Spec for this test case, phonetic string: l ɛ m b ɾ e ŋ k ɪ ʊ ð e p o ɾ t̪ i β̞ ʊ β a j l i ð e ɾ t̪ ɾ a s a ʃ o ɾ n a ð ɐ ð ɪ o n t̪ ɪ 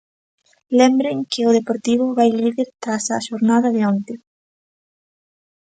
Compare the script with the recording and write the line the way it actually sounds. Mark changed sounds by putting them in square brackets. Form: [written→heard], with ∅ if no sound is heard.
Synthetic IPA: l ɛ m b ɾ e ŋ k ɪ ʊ ð e p o ɾ t̪ i β̞ ʊ β a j l i ð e ɾ t̪ ɾ a s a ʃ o ɾ n a ð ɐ ð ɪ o n t̪ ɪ